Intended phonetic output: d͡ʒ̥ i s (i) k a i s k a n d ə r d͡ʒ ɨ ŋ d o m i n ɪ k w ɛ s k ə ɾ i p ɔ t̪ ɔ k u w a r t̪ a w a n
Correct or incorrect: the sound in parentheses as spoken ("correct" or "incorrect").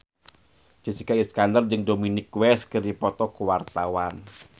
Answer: correct